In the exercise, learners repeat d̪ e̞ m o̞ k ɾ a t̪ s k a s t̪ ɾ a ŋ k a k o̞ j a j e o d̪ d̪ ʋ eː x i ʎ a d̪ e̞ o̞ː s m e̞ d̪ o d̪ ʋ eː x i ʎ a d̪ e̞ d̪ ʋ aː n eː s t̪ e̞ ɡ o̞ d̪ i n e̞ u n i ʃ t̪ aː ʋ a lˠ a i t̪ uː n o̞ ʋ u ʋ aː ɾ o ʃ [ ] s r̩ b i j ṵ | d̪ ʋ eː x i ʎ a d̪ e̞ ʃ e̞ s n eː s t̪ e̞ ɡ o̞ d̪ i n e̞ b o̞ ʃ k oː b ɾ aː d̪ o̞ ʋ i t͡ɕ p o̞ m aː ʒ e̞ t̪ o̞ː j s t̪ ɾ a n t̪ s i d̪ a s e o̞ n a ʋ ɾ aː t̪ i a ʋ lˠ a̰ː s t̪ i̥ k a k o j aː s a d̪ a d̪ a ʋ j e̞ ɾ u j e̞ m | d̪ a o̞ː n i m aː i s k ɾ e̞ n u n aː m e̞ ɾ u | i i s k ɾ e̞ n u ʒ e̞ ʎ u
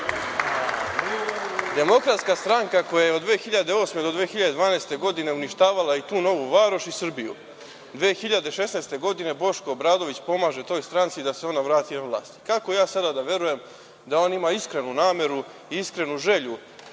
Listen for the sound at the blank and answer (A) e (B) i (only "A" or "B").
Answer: B